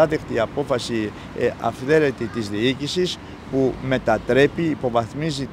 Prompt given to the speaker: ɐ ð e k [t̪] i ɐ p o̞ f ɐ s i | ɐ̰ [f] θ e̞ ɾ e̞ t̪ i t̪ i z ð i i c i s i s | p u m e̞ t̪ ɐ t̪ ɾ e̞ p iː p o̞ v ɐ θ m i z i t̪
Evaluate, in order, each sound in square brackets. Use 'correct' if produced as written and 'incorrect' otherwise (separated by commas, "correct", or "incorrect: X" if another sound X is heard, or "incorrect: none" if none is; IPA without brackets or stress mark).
correct, correct